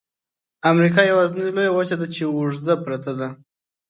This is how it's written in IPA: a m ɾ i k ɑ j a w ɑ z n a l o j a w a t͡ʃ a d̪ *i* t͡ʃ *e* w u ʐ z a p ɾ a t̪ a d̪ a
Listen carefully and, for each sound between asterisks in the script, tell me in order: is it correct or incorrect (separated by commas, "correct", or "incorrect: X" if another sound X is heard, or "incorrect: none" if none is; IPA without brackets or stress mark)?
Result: incorrect: a, correct